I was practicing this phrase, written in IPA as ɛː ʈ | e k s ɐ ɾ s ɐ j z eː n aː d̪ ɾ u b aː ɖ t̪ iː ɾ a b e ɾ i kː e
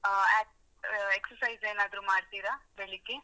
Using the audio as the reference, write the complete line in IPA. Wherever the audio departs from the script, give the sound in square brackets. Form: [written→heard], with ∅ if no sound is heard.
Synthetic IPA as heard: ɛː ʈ | e k s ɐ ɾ s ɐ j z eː n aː d̪ ɾ u [b→m] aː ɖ t̪ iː ɾ a b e [ɾ→ɭ] i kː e

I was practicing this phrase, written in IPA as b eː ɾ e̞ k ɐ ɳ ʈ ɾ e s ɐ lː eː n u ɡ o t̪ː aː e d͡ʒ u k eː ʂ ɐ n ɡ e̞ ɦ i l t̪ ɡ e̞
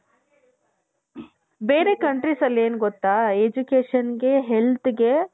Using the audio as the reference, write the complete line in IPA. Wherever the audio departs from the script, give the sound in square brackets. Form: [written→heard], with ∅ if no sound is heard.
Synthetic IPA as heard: b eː ɾ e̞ k ɐ ɳ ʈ ɾ [e→i] s ɐ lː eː n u ɡ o t̪ː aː e d͡ʒ u k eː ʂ ɐ n ɡ e̞ ɦ [i→e] l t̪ ɡ e̞

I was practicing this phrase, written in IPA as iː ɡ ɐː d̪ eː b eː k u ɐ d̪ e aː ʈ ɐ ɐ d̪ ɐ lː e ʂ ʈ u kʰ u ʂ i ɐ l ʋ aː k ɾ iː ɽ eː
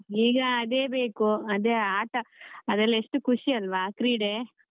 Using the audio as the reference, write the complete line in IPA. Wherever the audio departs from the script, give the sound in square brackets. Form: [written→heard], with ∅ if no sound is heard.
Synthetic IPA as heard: iː ɡ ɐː d̪ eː b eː k u ɐ d̪ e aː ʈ ɐ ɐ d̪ ɐ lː e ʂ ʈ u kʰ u ʂ i ɐ l ʋ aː k ɾ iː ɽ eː

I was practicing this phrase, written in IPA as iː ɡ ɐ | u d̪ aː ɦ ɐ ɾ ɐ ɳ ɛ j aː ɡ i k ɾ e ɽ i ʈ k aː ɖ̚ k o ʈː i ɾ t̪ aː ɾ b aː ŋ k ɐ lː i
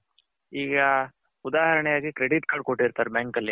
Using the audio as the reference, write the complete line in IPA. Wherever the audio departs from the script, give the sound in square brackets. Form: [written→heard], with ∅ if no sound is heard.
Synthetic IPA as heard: iː ɡ ɐ | u d̪ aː ɦ ɐ ɾ ɐ ɳ ɛ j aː ɡ i k ɾ e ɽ i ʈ k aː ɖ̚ k o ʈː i ɾ t̪ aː ɾ b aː ŋ k ɐ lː i

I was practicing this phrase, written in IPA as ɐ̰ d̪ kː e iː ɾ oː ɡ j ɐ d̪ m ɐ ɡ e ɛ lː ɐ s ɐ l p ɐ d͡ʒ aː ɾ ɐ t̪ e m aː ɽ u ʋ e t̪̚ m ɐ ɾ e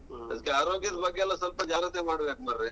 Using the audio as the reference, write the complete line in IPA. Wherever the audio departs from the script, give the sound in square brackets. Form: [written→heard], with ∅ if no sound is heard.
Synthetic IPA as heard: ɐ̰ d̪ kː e [iː→aː] ɾ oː ɡ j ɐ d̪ [m→b] ɐ ɡ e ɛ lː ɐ s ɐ l p ɐ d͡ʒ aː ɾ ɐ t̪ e m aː ɽ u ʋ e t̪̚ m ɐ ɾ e

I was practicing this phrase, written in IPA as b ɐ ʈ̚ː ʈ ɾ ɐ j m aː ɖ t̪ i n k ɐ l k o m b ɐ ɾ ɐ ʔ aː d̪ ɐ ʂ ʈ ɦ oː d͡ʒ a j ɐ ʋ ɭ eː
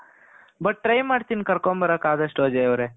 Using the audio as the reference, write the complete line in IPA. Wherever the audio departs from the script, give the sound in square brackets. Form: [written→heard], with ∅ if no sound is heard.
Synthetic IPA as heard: b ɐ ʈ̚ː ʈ ɾ ɐ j m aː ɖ t̪ i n k ɐ [l→ɾ] k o m b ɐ ɾ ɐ [ʔ→k] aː d̪ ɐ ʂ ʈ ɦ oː d͡ʒ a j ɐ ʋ [ɭ→ɾ] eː

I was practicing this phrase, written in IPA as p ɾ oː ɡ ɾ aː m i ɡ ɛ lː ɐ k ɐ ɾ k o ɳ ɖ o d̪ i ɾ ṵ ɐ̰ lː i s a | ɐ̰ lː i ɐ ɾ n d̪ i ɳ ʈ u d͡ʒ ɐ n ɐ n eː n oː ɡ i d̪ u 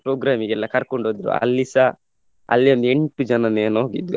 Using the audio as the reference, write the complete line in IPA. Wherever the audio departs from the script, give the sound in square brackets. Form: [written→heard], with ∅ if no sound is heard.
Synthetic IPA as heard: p ɾ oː ɡ ɾ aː m i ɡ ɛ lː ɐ k ɐ ɾ k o ɳ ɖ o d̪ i ɾ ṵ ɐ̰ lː i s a | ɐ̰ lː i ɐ [ɾ→∅] n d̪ [i→e] ɳ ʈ u d͡ʒ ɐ n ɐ n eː n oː ɡ i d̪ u

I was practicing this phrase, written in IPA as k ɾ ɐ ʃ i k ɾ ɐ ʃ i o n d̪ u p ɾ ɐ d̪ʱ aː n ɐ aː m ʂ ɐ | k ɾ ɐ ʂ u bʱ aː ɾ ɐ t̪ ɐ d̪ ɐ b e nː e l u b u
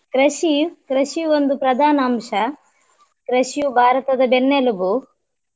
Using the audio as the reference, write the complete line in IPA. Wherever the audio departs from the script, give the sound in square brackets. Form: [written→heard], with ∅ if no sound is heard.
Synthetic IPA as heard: k ɾ ɐ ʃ i k ɾ ɐ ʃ i o n d̪ u p ɾ ɐ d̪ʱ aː n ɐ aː m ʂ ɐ | k ɾ ɐ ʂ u bʱ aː ɾ ɐ t̪ ɐ d̪ ɐ b e nː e l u b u

